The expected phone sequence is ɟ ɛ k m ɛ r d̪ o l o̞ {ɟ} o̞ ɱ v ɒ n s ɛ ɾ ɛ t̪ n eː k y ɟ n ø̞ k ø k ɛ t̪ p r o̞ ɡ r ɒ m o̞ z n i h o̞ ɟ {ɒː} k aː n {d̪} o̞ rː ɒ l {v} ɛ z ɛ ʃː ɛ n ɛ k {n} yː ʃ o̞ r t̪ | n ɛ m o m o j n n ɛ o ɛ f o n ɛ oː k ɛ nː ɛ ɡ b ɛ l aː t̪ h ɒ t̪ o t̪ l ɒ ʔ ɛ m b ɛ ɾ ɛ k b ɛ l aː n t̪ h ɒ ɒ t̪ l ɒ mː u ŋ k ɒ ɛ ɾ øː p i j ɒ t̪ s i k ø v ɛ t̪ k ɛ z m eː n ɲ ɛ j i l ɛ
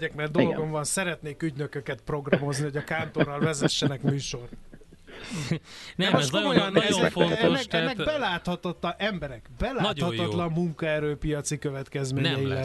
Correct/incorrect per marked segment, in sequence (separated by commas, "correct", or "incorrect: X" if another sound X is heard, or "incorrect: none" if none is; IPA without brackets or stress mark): incorrect: ɡ, incorrect: ɒ, incorrect: t̪, correct, incorrect: m